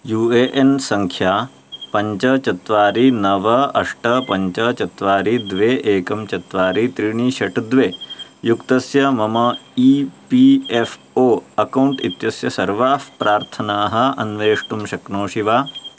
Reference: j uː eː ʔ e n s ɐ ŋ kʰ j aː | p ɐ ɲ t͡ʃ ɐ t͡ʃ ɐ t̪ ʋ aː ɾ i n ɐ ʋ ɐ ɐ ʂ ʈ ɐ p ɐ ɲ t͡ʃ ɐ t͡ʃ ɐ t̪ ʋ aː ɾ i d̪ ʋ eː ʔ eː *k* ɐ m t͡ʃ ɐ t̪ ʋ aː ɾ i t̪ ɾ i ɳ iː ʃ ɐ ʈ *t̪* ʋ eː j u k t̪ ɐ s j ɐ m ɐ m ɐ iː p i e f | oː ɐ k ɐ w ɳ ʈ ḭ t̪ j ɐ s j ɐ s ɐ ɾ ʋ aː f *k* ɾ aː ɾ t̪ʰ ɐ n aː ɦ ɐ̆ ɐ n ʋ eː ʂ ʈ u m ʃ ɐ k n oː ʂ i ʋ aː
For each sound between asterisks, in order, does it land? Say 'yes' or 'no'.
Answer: yes, no, no

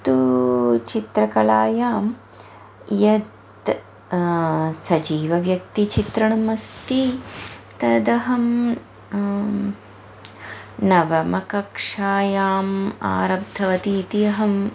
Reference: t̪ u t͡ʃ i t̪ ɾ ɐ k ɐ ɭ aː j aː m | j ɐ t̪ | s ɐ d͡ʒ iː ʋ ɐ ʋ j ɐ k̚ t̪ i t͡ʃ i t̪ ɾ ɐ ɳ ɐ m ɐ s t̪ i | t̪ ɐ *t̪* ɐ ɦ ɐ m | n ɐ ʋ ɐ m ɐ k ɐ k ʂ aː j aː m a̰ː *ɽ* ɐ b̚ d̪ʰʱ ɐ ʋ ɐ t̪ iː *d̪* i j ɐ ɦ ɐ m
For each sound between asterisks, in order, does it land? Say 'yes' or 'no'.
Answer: no, no, no

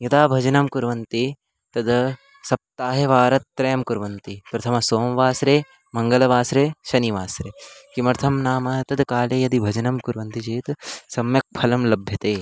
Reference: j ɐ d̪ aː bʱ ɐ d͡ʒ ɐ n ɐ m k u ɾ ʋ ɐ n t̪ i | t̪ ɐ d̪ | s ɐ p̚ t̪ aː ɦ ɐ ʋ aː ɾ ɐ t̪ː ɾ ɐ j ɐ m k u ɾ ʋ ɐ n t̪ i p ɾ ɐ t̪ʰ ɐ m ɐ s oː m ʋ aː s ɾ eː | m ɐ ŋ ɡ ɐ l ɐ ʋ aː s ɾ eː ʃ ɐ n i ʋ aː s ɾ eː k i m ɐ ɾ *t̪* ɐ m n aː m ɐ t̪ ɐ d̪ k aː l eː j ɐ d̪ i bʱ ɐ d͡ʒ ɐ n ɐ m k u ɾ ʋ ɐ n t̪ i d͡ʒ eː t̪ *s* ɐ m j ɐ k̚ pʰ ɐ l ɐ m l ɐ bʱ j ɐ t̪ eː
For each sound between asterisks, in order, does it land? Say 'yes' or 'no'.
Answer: no, yes

